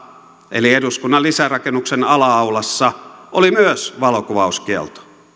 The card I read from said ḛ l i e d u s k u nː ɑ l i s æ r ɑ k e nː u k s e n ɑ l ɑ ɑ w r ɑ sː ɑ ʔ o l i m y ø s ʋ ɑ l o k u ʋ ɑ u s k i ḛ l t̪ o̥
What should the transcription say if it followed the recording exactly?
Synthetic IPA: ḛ l i e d u s k u nː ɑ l i s æ r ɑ k e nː u k s e n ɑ l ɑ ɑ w l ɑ sː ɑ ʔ o l i m y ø s ʋ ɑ l o k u ʋ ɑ u s k i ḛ l t̪ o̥